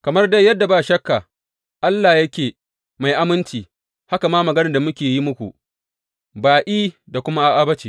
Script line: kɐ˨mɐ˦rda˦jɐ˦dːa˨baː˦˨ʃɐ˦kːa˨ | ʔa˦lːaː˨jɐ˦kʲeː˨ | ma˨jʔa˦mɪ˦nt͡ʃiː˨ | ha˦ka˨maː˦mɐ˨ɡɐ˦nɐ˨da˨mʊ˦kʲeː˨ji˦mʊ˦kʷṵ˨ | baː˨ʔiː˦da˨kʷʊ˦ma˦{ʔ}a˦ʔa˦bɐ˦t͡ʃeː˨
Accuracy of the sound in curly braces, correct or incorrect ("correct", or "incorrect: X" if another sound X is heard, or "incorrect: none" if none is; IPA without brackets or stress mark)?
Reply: correct